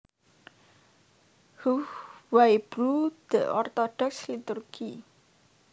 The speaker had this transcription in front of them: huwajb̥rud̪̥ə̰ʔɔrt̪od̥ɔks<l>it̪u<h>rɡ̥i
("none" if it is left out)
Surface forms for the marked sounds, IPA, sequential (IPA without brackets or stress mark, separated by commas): l, none